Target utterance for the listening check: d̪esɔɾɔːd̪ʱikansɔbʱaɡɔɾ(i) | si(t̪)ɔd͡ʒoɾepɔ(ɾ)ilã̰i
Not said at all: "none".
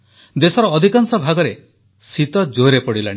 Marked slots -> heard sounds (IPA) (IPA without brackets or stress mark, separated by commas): e, t̪, ɽ